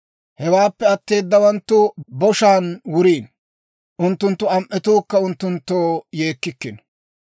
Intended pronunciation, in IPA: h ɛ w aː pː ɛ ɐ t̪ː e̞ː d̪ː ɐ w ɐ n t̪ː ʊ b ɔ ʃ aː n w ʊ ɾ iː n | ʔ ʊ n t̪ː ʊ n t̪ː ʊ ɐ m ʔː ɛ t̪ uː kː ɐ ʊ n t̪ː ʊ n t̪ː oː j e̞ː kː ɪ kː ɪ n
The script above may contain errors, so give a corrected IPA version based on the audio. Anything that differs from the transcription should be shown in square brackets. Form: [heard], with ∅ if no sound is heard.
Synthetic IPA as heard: h ɛ w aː pː ɛ ɐ t̪ː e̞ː d̪ː ɐ w ɐ n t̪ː ʊ b ɔ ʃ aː n w ʊ ɾ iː n | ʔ ʊ n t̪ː ʊ n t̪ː ʊ ɐ m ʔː ɛ t̪ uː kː ɐ ʊ n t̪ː ʊ n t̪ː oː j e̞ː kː ɪ kː ɪ n